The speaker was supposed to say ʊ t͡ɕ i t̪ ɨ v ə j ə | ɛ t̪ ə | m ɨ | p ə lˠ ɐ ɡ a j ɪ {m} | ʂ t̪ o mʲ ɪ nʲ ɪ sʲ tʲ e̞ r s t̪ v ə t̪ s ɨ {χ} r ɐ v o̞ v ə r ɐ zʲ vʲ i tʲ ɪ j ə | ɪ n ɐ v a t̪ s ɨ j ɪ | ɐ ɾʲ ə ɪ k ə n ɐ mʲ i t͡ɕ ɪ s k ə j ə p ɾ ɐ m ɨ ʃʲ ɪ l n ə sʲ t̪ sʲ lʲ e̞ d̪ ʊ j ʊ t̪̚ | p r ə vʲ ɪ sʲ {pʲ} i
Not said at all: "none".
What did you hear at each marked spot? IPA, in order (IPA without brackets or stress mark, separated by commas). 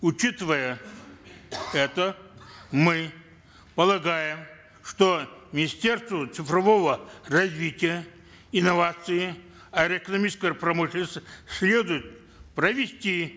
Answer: m, f, tʲ